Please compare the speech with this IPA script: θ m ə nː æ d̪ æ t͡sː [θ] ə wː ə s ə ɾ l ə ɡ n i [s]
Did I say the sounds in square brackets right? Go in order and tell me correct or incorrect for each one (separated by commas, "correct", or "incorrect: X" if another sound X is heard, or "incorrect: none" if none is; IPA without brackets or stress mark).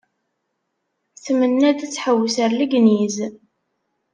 incorrect: ħ, incorrect: z